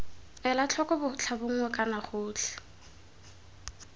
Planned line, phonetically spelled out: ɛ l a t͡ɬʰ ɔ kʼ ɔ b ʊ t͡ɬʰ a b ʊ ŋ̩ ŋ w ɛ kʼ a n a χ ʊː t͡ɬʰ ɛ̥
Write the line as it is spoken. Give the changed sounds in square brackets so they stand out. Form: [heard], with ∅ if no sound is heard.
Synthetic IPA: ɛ l a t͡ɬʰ ɔ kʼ ɔ b ʊ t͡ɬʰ a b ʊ ŋ̩ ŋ w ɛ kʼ a n a χ ʊː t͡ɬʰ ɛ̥